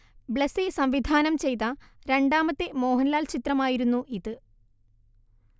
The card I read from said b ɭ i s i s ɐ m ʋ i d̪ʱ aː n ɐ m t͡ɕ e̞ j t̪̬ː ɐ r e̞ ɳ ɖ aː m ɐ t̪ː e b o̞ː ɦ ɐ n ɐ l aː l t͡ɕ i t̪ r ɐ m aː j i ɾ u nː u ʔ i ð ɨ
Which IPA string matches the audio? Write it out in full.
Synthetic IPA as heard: b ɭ e s i s ɐ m ʋ i d̪ʱ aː n ɐ m t͡ɕ e̞ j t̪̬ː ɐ ɾ e̞ ɳ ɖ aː m ɐ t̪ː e m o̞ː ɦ ɐ n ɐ l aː l t͡ɕ i t̪ r ɐ m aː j i ɾ u nː u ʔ i ð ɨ